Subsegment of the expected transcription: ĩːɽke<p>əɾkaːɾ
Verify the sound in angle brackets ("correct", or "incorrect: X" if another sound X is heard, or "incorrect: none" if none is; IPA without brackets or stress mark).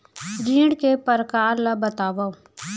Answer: correct